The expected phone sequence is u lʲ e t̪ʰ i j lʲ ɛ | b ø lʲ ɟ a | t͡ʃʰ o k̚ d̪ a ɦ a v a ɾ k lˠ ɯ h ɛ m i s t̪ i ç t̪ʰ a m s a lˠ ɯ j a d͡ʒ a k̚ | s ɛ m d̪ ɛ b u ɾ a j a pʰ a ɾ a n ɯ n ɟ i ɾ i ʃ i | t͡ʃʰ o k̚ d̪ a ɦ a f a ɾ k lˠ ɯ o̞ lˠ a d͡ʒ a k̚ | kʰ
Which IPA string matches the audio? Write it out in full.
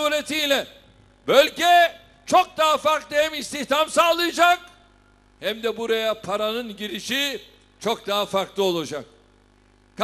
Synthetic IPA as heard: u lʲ e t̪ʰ i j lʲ ɛ | b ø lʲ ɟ ɛ | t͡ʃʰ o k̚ d̪ a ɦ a f a ɾ k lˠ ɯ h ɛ m i s t̪ i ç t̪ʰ a m s a lˠ ɯ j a d͡ʒ a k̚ | h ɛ m d̪ ɛ b u ɾ a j a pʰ a ɾ a n ɯ n ɟ i ɾ i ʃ i | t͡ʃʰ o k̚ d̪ a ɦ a f a ɾ k lˠ ɯ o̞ lˠ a d͡ʒ a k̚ | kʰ